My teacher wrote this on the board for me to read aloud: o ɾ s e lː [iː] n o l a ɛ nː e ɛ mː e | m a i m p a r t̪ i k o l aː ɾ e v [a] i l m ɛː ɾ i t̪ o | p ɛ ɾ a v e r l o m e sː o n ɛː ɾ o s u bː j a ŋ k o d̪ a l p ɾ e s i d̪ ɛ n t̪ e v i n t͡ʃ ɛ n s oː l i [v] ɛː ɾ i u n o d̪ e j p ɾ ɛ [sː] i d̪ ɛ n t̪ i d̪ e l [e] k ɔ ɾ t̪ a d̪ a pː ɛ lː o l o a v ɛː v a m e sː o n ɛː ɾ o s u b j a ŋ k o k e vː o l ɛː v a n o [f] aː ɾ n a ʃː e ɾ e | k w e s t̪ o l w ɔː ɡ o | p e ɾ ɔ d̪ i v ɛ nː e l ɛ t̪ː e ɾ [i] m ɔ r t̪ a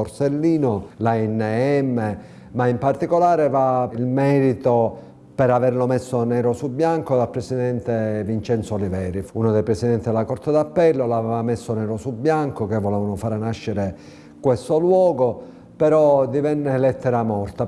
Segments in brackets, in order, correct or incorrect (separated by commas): correct, correct, correct, incorrect, incorrect, correct, incorrect